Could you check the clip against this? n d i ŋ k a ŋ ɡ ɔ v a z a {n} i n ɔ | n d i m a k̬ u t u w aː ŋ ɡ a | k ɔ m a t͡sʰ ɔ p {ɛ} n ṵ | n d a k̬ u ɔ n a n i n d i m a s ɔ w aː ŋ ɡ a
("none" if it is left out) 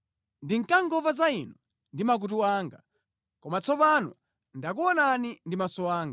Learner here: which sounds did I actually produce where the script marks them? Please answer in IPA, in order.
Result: none, a

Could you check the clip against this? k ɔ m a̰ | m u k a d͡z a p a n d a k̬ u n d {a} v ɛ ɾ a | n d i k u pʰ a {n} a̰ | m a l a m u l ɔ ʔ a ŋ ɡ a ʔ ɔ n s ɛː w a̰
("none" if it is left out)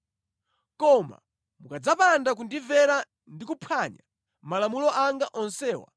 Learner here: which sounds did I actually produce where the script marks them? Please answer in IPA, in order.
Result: i, ɲ

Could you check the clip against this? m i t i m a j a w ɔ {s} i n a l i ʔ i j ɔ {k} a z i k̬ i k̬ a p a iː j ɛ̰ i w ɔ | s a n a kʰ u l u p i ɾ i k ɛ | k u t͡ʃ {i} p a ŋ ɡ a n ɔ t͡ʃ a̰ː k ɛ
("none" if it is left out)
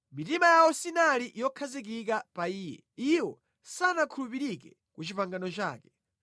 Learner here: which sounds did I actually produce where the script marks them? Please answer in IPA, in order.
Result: s, kʰ, i

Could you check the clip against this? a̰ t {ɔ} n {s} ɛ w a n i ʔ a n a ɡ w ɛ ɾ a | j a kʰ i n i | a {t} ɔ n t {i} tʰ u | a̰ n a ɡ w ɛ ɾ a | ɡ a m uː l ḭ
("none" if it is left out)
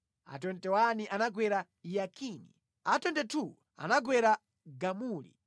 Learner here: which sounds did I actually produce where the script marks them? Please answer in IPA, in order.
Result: ɔ, t, t, ɛ

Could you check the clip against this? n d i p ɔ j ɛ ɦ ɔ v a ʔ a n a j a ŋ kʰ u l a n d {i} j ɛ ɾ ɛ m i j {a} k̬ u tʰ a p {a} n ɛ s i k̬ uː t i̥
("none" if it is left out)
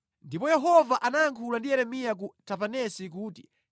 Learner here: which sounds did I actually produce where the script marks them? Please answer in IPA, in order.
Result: i, a, a

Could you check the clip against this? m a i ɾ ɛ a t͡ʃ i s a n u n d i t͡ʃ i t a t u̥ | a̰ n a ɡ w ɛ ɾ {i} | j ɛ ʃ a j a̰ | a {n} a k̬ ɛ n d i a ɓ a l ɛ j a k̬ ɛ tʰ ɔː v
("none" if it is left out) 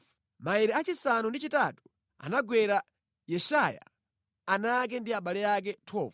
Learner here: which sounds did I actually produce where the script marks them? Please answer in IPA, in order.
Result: a, n

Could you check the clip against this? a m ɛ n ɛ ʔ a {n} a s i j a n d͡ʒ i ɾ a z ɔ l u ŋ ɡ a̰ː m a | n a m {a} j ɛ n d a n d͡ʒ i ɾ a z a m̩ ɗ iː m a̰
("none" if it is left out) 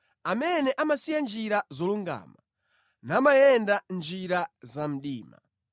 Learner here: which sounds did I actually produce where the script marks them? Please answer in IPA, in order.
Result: m, a

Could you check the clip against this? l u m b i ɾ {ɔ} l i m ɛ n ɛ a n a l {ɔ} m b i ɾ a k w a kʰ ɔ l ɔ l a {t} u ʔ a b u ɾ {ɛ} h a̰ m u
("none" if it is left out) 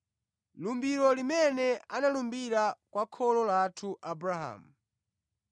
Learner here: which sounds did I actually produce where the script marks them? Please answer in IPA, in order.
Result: ɔ, u, tʰ, a

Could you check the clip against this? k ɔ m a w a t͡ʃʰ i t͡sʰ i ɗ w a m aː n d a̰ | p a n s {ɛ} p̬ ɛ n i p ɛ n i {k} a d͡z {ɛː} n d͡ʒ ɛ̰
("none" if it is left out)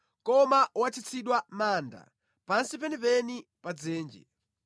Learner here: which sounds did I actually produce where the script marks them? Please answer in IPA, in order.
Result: i, p, ɛː

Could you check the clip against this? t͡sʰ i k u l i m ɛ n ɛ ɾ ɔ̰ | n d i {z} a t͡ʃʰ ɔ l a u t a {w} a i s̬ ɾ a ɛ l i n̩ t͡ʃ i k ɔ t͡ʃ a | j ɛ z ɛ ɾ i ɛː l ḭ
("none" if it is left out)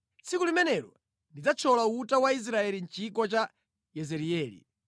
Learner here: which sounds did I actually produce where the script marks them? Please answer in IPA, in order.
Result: d͡z, w

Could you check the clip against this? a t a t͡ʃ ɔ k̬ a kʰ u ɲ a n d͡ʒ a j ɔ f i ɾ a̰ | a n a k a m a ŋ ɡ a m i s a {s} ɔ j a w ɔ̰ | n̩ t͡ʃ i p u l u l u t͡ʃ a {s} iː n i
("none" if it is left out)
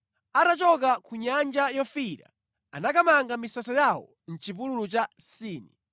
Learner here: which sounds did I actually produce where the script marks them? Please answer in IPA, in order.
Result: s, s

